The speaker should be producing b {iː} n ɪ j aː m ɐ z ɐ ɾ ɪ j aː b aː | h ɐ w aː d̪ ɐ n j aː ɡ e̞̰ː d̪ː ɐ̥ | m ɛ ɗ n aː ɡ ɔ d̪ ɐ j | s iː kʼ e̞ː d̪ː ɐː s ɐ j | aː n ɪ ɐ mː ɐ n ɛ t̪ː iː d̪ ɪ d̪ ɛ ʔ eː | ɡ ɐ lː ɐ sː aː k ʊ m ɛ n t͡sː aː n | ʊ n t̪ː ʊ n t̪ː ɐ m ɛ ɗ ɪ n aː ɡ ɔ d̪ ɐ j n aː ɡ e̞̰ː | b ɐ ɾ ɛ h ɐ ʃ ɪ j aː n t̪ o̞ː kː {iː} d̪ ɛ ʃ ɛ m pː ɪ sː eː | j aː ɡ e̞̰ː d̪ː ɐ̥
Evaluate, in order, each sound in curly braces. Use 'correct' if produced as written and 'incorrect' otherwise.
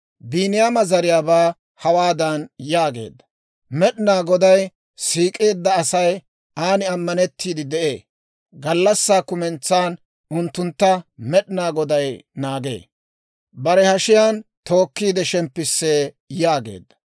correct, correct

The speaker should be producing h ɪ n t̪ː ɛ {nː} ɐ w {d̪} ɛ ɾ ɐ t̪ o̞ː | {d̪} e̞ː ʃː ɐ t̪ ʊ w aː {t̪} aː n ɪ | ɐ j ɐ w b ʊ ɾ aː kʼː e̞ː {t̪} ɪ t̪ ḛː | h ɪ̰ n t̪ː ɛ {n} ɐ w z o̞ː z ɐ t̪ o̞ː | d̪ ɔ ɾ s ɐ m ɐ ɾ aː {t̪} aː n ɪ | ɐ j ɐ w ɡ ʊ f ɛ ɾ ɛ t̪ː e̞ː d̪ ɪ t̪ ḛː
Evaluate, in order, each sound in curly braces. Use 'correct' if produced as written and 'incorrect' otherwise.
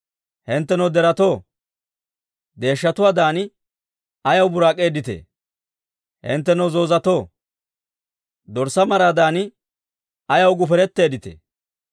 incorrect: n, correct, correct, incorrect: d̪, incorrect: d̪, correct, incorrect: d̪

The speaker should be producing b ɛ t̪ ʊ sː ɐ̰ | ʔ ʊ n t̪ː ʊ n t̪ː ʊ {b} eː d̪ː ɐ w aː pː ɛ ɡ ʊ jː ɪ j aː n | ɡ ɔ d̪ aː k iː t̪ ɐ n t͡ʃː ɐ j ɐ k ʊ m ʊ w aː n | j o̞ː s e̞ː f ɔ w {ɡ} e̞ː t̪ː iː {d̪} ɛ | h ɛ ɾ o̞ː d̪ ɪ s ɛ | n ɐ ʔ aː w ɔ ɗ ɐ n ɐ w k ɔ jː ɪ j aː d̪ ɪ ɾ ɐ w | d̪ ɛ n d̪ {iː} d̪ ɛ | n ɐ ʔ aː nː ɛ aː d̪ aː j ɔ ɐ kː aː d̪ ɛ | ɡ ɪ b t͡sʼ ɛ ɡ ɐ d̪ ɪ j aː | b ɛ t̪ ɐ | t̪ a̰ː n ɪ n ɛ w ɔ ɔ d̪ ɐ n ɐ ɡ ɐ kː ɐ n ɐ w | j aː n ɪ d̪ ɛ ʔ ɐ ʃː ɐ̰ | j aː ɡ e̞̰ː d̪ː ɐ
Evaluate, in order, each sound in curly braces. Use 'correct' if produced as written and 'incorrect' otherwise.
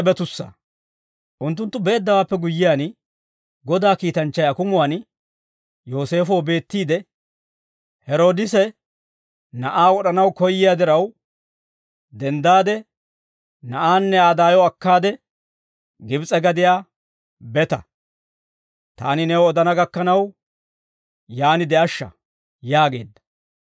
correct, incorrect: b, correct, incorrect: aː

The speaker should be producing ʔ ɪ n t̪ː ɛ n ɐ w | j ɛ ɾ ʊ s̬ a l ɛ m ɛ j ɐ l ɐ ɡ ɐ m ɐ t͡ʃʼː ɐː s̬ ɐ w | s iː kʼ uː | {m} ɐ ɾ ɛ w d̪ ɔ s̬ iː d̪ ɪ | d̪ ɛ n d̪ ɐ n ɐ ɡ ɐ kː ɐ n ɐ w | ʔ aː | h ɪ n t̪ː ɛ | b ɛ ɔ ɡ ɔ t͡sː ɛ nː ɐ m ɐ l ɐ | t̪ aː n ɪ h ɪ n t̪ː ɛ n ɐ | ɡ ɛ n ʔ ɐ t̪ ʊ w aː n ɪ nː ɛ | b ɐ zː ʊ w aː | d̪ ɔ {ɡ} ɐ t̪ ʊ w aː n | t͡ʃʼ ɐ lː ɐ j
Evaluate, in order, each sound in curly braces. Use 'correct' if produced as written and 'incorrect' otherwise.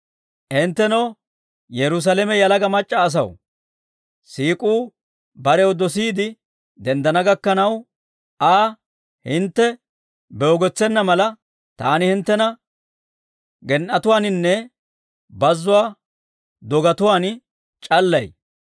incorrect: b, correct

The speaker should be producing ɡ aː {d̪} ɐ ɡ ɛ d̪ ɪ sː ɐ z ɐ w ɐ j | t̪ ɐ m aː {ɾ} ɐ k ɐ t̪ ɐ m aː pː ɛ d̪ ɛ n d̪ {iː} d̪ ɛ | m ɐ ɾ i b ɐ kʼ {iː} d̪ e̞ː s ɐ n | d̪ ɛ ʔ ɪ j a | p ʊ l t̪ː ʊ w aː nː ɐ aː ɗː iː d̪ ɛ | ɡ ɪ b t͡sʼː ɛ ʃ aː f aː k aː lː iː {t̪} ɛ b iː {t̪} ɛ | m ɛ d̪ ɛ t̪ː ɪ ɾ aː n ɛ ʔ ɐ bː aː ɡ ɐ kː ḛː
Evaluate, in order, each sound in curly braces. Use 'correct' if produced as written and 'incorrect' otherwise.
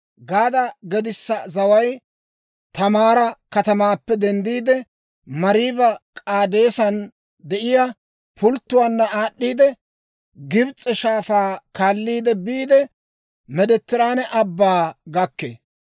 correct, correct, correct, incorrect: aː, incorrect: d̪, incorrect: d̪

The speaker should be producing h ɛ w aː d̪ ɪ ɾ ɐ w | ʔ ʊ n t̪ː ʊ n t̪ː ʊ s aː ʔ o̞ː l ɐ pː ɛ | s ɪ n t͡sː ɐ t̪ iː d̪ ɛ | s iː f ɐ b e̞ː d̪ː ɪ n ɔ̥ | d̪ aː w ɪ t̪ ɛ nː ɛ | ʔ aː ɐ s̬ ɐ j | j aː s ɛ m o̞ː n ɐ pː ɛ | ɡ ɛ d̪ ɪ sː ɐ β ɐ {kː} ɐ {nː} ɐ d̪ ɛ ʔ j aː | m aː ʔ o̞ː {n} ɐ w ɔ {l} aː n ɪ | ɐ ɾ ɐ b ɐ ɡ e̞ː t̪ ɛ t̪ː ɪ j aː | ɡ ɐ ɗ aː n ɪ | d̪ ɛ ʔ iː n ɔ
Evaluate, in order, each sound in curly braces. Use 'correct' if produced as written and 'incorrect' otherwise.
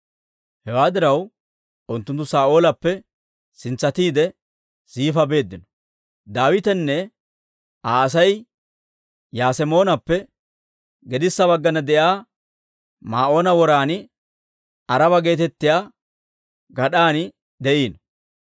incorrect: ɡː, incorrect: n, correct, incorrect: ɾ

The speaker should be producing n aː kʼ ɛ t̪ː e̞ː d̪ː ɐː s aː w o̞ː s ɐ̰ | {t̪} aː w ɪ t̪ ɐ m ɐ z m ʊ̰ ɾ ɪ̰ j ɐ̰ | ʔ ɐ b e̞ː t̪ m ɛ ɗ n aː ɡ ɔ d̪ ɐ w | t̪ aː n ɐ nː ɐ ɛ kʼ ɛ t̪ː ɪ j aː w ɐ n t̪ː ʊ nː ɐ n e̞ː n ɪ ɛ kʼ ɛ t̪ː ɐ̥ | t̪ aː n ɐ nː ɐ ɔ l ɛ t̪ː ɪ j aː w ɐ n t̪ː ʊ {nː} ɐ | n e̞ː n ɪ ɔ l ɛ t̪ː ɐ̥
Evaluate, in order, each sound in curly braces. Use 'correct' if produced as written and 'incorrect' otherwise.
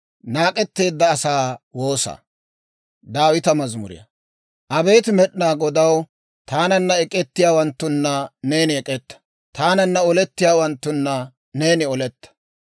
incorrect: d̪, correct

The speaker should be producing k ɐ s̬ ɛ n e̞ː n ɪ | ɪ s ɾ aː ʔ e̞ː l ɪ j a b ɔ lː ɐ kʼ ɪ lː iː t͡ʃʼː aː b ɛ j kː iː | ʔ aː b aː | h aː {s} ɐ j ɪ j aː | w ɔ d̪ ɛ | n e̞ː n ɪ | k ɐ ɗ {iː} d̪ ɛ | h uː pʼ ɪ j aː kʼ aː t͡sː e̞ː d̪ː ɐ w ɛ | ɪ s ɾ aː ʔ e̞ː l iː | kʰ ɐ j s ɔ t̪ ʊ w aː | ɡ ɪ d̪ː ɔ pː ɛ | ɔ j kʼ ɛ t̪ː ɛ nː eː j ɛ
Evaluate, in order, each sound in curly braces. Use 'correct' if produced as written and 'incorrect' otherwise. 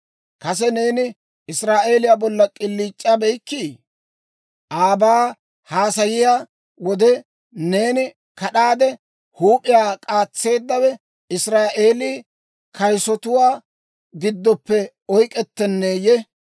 correct, incorrect: aː

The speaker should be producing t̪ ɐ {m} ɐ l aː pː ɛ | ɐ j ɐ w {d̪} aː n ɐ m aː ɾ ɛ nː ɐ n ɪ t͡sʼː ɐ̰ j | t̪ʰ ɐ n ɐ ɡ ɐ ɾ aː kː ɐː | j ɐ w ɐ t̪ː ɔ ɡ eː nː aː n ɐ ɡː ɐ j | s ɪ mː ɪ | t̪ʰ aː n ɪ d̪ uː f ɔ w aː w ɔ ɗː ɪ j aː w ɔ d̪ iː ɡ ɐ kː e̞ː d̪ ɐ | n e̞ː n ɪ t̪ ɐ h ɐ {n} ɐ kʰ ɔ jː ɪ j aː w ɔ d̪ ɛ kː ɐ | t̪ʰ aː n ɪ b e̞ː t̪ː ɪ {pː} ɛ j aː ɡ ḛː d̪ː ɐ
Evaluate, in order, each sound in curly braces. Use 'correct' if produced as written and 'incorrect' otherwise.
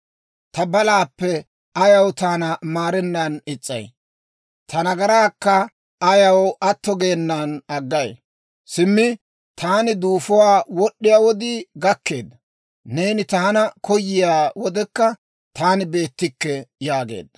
incorrect: b, incorrect: t̪, correct, incorrect: kː

